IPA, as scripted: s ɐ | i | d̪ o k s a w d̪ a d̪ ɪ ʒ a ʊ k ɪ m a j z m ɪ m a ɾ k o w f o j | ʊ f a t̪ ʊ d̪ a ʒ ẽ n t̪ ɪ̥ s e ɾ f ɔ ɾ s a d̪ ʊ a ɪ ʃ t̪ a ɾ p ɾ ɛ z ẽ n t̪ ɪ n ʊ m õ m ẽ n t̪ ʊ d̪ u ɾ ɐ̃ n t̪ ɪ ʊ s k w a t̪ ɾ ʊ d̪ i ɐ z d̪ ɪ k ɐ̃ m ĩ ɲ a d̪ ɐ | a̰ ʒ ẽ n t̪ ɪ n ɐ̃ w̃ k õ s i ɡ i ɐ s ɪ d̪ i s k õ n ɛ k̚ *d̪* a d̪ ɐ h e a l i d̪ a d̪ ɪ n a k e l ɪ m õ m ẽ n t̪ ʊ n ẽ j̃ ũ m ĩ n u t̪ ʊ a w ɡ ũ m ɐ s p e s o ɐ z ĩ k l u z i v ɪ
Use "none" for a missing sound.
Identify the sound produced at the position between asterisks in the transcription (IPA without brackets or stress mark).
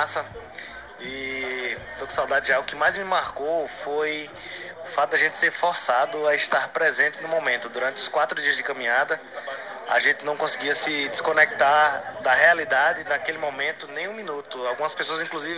t̪